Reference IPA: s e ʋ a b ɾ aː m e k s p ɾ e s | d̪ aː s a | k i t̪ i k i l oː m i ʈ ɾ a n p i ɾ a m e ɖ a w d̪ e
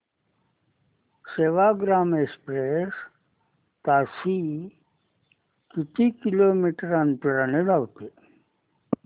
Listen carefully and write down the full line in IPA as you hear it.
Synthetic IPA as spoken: s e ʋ a ɡ ɾ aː m e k s p ɾ e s | t̪ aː s i | k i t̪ i k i l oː m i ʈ ɾ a n p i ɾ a n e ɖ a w t̪ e